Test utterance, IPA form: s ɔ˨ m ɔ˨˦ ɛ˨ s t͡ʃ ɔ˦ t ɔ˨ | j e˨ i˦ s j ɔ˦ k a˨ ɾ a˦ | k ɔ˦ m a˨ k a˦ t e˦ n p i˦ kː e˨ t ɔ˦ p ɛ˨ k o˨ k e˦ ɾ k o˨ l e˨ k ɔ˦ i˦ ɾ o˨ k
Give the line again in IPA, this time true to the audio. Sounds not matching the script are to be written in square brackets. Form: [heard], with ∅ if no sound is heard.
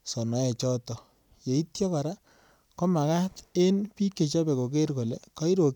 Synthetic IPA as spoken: s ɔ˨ [n] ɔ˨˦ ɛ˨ [∅] t͡ʃ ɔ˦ t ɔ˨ | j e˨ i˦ [t] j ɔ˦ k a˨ ɾ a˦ | k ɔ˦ m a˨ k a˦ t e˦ n p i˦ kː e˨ [t͡ʃ] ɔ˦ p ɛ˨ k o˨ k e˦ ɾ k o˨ l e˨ k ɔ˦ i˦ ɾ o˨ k